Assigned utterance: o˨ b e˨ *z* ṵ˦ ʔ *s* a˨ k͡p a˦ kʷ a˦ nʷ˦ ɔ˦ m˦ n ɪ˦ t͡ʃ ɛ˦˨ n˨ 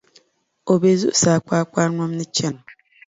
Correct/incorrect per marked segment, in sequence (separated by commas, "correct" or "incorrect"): correct, correct